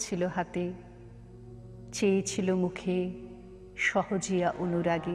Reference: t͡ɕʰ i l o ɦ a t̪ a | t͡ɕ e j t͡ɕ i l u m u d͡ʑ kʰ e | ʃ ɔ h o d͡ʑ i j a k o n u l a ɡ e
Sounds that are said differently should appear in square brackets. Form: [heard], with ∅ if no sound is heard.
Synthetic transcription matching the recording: t͡ɕʰ i l o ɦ a t̪ [e] | t͡ɕ e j [t͡ɕʰ] i l [o] m u [∅] kʰ e | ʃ ɔ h o d͡ʑ i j a [ʔ] o n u [ɾ] a ɡ e